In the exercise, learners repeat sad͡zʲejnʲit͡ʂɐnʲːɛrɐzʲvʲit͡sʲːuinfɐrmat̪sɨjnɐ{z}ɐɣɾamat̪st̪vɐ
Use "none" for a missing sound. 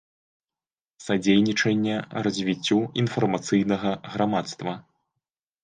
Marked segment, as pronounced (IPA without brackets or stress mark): ɣ